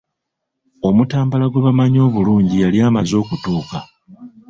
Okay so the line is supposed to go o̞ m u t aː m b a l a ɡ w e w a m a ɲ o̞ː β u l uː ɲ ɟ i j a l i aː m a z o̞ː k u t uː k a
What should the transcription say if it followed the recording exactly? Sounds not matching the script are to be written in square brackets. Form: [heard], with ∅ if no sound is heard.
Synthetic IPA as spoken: o̞ m u t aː m b a l a ɡ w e [β] a m a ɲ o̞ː β u l uː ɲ ɟ i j a l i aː m a z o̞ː k u t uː k a